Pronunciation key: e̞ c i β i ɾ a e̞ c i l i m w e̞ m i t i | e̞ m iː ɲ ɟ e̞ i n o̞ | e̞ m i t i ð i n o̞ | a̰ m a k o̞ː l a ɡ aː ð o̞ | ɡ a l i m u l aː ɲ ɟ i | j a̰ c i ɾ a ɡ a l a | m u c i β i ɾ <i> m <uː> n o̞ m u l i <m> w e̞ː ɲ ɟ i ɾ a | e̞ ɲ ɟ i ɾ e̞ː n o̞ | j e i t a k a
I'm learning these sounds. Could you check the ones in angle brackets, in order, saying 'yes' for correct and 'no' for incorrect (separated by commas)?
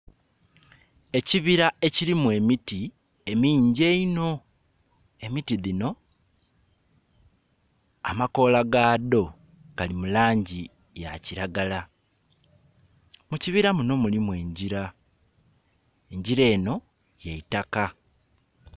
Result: no, no, yes